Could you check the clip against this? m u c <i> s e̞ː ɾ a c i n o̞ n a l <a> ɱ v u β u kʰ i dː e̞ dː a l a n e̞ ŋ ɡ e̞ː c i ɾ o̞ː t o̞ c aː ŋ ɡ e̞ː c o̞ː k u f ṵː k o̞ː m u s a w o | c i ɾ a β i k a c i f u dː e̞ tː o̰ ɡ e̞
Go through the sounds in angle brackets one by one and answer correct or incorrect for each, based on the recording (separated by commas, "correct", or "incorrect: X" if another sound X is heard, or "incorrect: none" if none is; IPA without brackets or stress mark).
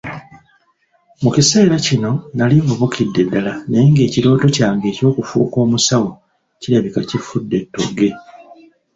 correct, incorrect: i